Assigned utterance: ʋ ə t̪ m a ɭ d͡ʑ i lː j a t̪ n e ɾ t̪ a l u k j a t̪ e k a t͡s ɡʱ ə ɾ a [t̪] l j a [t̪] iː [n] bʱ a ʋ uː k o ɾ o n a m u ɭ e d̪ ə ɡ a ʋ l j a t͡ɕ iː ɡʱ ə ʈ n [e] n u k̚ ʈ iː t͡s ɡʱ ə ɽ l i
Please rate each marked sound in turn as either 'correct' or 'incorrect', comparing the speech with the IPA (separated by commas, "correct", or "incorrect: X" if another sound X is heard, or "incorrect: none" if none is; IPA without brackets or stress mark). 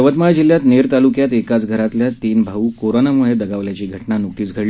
correct, correct, correct, incorrect: a